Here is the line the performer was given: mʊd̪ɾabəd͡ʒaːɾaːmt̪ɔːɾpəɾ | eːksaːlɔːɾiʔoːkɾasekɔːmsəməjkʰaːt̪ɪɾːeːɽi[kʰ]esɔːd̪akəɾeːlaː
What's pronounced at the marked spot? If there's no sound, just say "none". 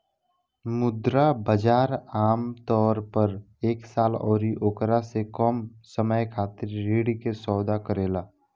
k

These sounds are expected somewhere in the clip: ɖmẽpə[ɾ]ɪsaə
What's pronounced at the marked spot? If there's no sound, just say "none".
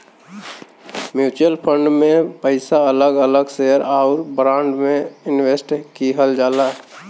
none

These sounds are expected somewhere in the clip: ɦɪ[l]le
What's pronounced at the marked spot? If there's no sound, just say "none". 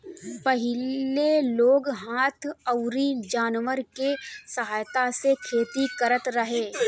l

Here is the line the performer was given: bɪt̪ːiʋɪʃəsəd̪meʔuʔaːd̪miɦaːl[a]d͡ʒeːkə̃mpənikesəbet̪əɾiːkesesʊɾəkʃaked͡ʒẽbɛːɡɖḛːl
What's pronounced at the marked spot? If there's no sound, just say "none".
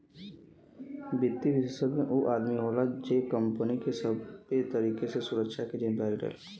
a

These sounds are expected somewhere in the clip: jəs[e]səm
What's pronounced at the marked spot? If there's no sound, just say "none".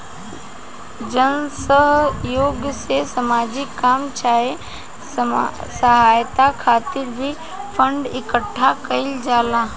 e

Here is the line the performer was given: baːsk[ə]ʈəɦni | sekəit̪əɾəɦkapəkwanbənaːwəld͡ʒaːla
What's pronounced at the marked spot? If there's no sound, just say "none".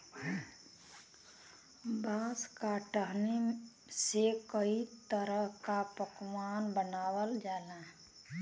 a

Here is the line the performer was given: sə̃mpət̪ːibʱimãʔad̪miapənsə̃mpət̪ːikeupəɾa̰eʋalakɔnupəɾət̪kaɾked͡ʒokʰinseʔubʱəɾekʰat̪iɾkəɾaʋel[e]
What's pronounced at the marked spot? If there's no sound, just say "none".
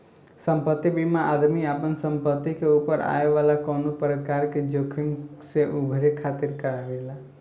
a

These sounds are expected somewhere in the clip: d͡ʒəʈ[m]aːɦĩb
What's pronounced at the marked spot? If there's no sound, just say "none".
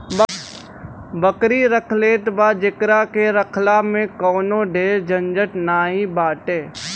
n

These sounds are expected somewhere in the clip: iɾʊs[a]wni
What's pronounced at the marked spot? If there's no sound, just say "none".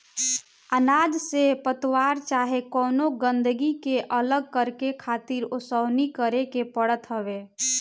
ə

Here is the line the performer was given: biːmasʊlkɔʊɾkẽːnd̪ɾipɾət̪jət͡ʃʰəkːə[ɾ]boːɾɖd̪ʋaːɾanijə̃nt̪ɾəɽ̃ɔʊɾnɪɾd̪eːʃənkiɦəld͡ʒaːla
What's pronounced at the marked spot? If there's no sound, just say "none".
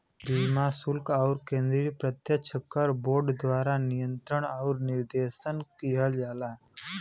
ɾ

